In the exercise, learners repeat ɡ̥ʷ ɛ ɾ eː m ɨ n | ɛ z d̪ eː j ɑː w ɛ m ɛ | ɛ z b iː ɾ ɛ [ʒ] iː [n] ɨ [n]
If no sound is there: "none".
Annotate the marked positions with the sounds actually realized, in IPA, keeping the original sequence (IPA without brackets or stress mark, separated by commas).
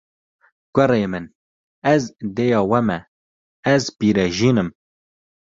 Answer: ʒ, n, m